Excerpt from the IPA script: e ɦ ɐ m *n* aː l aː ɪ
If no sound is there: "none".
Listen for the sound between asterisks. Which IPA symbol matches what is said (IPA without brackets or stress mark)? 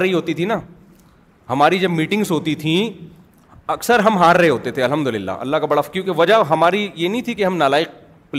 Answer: n